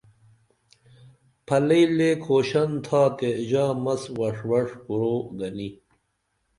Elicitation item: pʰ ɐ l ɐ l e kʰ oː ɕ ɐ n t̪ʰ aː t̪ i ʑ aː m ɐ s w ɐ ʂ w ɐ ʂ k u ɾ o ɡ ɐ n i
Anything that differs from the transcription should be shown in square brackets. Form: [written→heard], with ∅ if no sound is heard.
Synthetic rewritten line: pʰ ɐ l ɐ l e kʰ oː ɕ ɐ n t̪ʰ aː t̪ [i→e] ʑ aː m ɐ s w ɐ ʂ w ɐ ʂ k u ɾ o ɡ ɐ n i